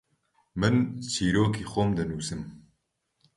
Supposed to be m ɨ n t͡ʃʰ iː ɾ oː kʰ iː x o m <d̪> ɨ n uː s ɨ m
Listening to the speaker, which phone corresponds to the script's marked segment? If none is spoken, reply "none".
d̪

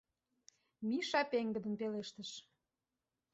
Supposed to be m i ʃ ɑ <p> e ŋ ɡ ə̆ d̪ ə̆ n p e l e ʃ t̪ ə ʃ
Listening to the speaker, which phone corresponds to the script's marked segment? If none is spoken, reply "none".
p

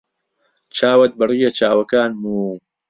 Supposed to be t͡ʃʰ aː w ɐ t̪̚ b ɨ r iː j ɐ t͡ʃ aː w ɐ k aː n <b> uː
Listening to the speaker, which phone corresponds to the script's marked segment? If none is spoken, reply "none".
m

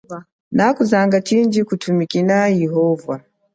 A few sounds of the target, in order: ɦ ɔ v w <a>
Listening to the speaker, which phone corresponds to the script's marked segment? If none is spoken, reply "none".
a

